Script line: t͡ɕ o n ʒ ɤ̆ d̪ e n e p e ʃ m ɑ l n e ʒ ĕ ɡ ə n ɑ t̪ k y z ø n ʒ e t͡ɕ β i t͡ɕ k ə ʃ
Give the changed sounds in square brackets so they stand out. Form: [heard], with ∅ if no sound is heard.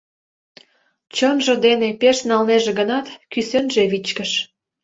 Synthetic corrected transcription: t͡ɕ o n ʒ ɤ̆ d̪ e n e p e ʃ [n] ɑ l n e ʒ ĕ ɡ ə n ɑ t̪ k y [s] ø n ʒ e [∅] β i t͡ɕ k ə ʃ